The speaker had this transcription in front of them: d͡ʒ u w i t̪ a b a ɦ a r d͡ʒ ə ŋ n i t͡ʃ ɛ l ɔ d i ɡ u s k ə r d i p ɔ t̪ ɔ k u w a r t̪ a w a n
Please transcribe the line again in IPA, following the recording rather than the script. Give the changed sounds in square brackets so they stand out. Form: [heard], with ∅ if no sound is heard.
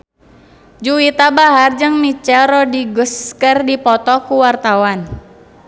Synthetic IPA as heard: d͡ʒ u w i t̪ a b a ɦ a r d͡ʒ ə ŋ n i t͡ʃ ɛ [ɾ] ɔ d i ɡ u s k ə r d i p ɔ t̪ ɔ k u w a r t̪ a w a n